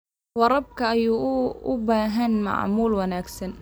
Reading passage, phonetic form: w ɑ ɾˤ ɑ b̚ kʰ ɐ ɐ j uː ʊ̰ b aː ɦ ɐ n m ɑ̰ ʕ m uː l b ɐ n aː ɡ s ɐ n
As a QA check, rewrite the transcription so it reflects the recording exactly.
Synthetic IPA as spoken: w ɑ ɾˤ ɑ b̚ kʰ ɐ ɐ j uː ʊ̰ b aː ɦ ɐ n m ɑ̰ ʕ m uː l w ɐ n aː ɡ s ɐ n